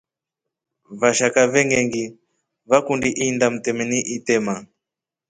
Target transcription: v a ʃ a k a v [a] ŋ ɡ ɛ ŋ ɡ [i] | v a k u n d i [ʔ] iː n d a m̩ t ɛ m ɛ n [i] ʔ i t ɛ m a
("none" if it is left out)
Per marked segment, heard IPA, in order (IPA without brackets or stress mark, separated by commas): ɛ, i, ʔ, i